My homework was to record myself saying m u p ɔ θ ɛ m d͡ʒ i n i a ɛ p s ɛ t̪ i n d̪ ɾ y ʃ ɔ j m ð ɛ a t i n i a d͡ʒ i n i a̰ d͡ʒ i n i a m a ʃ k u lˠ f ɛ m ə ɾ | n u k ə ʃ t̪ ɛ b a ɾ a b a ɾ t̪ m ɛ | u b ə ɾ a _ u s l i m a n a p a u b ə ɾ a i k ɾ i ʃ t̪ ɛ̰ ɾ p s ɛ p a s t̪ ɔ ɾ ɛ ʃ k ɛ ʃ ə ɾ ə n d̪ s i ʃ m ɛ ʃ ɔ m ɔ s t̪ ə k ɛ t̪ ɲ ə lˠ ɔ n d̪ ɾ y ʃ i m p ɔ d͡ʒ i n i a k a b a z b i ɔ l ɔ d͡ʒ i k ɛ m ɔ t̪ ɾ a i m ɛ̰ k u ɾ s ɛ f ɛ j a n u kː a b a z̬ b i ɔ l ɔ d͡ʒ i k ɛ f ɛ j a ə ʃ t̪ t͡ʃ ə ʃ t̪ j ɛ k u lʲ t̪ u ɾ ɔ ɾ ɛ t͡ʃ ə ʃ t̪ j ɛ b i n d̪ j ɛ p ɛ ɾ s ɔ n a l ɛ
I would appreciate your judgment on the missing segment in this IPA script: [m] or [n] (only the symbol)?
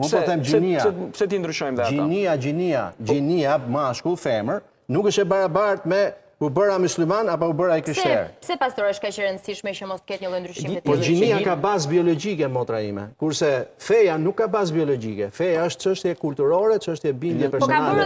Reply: m